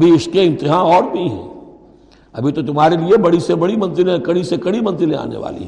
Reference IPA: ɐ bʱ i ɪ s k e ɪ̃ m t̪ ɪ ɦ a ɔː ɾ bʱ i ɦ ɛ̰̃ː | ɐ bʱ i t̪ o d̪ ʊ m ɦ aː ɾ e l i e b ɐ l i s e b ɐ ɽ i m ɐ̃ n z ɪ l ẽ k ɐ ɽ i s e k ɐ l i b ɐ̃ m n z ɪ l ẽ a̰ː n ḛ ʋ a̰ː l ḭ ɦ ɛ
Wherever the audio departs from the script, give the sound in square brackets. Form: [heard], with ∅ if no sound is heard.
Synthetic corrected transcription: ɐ bʱ i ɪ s k e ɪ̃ [n] t̪ ɪ ɦ a ɔː ɾ bʱ i ɦ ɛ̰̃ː | ɐ bʱ i t̪ o [t̪] ʊ m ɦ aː ɾ e l i e b ɐ [ɽ] i s e b ɐ ɽ i m ɐ̃ n z ɪ l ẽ k ɐ ɽ i s e k ɐ [ɽ] i [m] ɐ̃ [∅] n z ɪ l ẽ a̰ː n ḛ ʋ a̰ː l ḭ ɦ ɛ